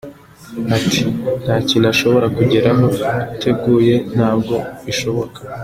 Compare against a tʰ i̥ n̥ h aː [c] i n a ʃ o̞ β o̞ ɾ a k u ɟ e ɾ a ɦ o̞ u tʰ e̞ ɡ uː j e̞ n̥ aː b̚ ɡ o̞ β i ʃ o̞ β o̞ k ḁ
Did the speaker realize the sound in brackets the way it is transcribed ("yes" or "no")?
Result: yes